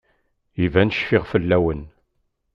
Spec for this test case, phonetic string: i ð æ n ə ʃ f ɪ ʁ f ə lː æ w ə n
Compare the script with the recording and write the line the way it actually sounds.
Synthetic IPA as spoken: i v æ n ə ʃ f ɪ ʁ f ə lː æ w ə n